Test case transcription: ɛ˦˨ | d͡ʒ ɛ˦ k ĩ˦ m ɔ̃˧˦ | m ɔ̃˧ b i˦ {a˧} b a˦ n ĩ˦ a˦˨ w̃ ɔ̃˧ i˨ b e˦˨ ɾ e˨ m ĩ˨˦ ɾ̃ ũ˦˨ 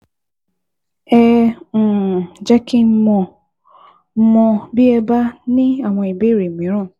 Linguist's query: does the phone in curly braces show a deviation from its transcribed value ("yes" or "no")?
yes